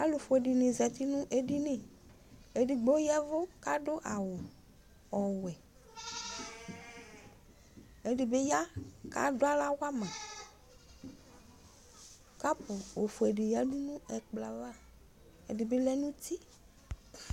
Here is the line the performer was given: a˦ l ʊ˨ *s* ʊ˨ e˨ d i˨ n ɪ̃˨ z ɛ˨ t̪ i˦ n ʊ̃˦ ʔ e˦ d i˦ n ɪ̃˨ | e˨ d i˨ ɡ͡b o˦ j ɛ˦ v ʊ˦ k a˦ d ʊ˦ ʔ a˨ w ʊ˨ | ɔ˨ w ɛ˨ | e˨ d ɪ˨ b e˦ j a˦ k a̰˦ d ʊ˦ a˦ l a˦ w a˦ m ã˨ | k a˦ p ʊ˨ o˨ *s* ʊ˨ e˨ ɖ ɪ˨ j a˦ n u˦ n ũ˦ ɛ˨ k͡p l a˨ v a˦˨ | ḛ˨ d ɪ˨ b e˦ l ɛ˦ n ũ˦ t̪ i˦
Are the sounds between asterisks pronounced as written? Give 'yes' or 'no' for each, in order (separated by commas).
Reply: no, no